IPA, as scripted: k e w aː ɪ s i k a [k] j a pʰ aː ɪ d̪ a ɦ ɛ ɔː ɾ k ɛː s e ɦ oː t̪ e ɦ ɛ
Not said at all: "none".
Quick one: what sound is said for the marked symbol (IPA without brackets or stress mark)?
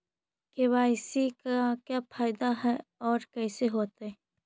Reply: k